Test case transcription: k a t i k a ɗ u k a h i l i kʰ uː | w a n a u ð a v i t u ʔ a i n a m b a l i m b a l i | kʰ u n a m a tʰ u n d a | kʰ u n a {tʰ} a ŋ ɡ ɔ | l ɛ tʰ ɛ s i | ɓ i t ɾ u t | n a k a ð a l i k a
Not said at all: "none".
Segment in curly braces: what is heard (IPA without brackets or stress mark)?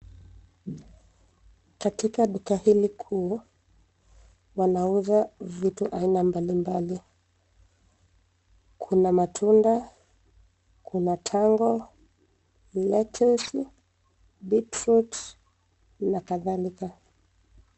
tʰ